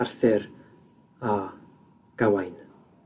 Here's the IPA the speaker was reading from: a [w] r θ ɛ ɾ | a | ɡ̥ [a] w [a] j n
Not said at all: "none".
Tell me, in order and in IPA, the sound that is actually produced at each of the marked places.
none, a, a

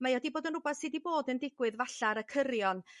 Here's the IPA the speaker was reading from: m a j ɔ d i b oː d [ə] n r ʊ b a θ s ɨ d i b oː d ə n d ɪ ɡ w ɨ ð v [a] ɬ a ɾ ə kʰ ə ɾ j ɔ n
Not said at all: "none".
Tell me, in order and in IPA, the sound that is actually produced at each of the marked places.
ə, a

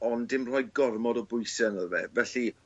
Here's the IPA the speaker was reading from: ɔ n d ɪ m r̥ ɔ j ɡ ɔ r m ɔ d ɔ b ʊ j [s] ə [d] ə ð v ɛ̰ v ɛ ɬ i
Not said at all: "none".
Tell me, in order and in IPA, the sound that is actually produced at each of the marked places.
s, n

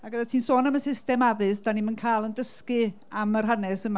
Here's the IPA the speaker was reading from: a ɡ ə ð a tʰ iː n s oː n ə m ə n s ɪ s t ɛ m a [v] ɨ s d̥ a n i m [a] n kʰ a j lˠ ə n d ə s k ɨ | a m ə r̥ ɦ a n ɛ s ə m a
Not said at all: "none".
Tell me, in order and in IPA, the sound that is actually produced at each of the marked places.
ð, ə

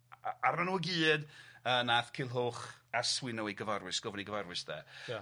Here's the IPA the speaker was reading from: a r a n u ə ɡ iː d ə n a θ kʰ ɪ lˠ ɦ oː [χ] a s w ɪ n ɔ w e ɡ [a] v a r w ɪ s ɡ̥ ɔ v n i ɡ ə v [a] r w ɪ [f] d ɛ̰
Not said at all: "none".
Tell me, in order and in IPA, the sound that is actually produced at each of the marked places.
χ, ə, a, s

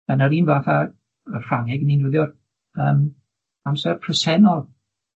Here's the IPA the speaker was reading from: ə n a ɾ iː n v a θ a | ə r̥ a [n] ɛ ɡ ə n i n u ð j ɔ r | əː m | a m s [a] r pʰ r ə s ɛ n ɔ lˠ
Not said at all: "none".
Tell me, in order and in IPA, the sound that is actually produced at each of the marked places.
ŋ, ɛ

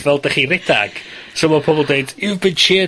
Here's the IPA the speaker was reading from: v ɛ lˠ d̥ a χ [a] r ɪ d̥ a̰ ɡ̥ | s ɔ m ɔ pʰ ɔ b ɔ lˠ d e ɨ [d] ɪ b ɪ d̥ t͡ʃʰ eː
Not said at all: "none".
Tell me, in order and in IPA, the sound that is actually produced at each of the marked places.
i, d

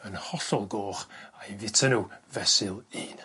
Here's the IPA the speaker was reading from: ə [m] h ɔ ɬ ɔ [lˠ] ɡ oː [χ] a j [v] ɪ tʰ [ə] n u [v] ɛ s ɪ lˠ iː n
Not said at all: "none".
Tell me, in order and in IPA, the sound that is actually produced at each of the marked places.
n, lˠ, χ, v, ə, v

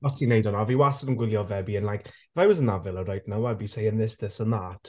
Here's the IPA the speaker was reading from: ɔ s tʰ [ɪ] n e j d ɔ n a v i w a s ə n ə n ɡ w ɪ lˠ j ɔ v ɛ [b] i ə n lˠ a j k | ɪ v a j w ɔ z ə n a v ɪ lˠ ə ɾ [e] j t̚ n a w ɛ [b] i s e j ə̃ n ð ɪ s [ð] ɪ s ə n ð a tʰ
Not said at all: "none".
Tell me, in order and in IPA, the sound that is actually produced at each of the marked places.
i, b, a, b, ð

